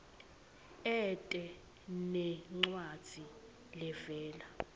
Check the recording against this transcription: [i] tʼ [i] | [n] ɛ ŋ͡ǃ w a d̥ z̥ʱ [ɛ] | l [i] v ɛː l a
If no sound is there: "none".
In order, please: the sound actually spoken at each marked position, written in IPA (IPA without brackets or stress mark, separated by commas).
ɛ, ɛ, n, i, ɛ